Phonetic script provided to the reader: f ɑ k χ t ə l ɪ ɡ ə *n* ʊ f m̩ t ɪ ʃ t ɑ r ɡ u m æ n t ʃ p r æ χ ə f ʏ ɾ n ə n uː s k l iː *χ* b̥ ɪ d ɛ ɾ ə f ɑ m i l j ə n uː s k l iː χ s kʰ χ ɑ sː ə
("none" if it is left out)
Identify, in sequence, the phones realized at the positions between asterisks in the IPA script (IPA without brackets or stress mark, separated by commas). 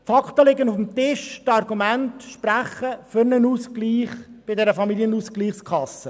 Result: n, χ